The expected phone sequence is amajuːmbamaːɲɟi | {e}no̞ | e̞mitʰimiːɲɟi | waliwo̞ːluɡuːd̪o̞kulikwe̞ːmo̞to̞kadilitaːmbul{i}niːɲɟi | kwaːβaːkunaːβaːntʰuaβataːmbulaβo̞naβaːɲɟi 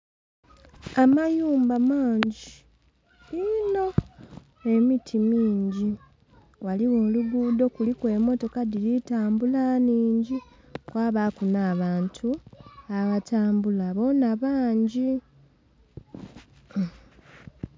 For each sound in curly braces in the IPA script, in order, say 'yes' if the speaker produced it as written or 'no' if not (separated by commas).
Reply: no, no